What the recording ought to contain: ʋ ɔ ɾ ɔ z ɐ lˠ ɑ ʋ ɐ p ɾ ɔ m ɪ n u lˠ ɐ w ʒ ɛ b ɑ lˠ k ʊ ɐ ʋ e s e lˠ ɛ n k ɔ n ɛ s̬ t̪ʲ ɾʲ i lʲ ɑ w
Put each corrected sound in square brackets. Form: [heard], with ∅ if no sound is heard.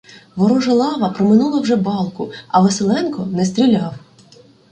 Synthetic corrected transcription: ʋ ɔ ɾ ɔ [ʒ] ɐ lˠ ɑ ʋ ɐ p ɾ ɔ m ɪ n u lˠ ɐ w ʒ ɛ b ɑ lˠ k ʊ ɐ ʋ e s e lˠ ɛ n k ɔ n ɛ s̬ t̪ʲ ɾʲ i lʲ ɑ w